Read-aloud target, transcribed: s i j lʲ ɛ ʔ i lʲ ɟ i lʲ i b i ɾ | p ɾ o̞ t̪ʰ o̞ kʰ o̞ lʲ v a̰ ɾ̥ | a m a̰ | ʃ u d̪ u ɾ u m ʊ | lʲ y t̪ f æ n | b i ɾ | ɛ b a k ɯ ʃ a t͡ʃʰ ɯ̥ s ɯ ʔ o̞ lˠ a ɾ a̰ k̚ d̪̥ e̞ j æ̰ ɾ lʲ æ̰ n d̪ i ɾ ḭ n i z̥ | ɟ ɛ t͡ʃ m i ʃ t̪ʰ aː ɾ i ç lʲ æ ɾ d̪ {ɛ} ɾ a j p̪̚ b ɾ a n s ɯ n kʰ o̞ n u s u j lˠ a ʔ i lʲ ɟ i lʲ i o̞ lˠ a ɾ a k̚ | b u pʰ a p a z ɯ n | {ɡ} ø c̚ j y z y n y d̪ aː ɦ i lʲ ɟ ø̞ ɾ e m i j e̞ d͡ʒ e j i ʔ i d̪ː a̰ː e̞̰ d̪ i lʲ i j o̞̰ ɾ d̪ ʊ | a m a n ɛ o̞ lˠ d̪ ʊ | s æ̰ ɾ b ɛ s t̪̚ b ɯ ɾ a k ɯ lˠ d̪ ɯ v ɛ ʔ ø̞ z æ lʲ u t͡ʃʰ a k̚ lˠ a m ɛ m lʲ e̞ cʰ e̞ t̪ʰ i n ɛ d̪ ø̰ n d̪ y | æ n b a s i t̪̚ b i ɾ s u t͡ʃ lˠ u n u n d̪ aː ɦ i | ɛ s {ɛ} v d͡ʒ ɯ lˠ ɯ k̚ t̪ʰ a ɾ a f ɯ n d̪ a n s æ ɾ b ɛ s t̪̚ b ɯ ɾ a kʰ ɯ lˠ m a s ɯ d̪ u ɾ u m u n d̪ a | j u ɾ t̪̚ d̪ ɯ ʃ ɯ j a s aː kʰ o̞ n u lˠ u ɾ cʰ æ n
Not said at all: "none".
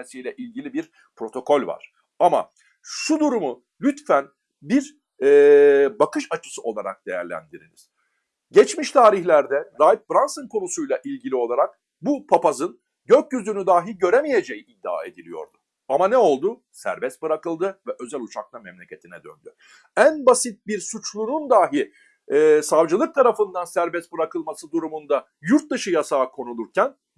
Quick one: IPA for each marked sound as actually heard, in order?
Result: ɛ, ɟ, a

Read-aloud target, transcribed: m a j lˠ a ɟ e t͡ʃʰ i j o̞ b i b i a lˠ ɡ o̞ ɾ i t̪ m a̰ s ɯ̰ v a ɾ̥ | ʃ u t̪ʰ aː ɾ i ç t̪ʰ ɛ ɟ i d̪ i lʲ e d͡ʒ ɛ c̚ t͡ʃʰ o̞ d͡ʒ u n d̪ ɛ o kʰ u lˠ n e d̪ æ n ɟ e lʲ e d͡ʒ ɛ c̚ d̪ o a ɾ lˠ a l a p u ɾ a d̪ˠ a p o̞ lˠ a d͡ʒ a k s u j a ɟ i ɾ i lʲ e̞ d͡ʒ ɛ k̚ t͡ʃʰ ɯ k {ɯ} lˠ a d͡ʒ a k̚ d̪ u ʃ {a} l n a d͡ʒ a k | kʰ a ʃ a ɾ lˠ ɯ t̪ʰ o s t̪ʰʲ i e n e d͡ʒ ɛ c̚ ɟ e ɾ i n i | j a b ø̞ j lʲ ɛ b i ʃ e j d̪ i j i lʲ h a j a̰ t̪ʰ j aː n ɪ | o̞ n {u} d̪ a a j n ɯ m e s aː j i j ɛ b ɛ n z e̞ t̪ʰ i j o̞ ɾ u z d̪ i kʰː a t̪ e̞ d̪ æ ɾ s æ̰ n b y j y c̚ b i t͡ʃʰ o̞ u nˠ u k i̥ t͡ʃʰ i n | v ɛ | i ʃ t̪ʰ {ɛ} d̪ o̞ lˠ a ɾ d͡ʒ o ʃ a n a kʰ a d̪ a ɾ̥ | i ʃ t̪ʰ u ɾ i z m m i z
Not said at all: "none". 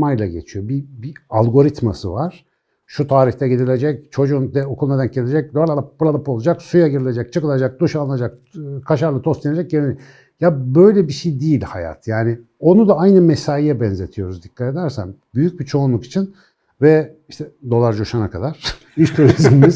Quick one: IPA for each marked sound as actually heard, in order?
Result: ɯ, a, u, ɛ

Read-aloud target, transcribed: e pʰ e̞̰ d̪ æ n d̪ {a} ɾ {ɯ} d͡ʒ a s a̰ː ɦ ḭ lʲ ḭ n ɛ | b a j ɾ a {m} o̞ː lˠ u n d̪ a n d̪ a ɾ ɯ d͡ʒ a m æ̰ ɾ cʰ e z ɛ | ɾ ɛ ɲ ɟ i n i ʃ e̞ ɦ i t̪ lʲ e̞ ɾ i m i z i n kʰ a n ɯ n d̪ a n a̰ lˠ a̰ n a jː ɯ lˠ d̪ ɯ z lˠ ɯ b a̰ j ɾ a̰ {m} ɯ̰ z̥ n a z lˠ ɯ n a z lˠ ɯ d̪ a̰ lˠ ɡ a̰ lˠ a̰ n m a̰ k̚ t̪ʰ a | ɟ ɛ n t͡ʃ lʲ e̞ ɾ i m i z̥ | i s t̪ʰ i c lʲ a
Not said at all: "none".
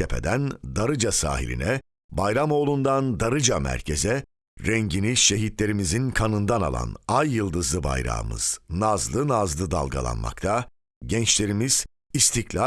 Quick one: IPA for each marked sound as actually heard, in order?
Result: a, ɯ, m, m

